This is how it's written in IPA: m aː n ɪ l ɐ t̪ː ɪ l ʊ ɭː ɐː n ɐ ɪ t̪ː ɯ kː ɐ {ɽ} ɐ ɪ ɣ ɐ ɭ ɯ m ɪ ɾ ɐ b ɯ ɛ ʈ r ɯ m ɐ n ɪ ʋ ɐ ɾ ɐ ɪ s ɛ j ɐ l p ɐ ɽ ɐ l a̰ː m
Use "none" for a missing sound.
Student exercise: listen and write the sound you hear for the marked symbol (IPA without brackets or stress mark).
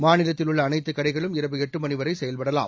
ɽ